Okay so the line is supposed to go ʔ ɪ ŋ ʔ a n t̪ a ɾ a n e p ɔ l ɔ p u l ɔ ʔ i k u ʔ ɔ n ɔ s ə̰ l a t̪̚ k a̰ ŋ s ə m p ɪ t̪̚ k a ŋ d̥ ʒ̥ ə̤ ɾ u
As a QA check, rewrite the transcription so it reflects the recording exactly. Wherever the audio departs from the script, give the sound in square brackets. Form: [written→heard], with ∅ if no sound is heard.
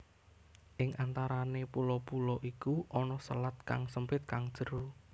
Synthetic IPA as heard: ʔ ɪ ŋ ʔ a n t̪ a ɾ a n e p [ɔ→u] l ɔ p u l ɔ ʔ i k u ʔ ɔ n ɔ s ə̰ l a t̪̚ k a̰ ŋ s ə m p ɪ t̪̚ k a ŋ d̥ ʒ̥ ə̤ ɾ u